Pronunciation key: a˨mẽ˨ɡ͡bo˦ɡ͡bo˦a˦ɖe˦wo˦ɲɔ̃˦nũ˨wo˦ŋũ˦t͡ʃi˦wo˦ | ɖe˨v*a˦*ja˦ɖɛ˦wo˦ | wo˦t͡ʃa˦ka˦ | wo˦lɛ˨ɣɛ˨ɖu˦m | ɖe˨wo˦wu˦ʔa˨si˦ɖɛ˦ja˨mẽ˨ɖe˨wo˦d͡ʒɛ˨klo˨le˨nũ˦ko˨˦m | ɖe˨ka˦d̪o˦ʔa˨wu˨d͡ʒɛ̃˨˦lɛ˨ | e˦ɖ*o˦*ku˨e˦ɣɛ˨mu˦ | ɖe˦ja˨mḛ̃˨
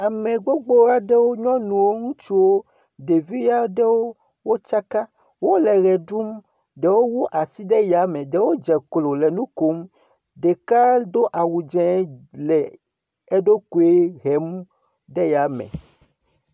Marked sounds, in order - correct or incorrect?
incorrect, correct

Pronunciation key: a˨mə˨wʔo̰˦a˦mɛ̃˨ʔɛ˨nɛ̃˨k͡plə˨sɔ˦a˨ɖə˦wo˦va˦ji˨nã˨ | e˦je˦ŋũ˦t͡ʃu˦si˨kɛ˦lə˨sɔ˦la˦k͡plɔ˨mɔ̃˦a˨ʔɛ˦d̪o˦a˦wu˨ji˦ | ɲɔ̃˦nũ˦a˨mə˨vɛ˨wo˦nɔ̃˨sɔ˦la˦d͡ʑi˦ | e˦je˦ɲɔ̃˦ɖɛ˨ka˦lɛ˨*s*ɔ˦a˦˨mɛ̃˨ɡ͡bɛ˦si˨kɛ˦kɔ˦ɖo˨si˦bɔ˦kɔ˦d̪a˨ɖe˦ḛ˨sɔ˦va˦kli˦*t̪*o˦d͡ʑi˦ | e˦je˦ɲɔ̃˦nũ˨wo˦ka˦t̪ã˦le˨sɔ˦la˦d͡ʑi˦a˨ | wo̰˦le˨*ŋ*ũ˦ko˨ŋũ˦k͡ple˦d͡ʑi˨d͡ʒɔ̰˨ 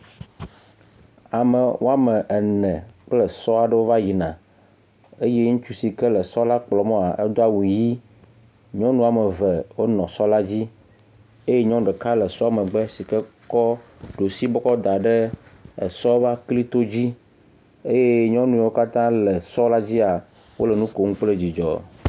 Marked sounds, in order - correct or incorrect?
correct, correct, incorrect

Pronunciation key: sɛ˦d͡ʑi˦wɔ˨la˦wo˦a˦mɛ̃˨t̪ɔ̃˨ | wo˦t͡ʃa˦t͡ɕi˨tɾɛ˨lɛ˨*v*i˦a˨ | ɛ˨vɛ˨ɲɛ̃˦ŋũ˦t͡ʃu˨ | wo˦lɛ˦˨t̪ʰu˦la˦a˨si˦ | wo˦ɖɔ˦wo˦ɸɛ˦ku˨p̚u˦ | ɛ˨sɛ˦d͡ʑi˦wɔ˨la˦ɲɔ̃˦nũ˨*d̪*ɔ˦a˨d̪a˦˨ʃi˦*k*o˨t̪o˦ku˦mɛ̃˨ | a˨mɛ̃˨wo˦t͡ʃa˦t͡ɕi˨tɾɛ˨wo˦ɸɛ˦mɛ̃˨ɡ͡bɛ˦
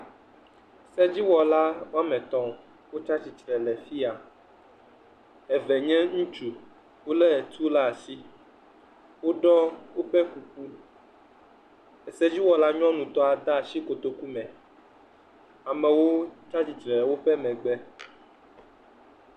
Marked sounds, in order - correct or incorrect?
incorrect, incorrect, correct

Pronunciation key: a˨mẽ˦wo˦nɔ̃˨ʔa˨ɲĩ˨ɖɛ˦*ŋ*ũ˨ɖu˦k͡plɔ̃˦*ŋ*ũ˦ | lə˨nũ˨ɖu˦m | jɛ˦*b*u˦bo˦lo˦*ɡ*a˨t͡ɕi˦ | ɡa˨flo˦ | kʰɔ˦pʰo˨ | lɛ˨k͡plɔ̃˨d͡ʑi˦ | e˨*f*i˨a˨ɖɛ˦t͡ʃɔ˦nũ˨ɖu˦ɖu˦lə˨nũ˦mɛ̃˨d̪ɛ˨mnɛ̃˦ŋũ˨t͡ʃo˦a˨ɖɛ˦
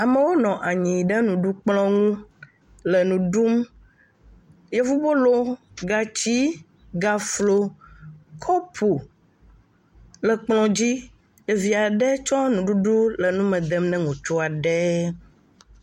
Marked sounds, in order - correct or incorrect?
incorrect, correct, incorrect, correct, incorrect

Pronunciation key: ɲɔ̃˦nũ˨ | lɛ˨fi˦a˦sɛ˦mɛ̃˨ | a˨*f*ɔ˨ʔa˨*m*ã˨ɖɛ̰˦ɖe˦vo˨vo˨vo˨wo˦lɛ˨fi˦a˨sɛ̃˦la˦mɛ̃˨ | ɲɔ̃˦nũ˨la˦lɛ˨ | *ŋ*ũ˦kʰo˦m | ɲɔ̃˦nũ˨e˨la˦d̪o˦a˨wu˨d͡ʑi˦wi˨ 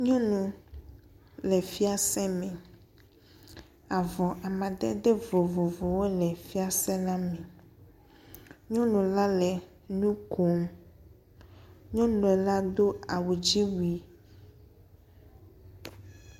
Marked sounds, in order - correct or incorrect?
incorrect, correct, incorrect

